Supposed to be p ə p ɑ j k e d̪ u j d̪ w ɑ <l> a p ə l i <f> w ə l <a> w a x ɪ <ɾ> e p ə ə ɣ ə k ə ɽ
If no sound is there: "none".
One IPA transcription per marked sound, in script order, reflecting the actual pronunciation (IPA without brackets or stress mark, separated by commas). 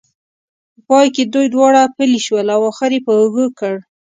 ɽ, ʃ, a, ɾ